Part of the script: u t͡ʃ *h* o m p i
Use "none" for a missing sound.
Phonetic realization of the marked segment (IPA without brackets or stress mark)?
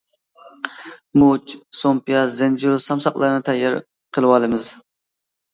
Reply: s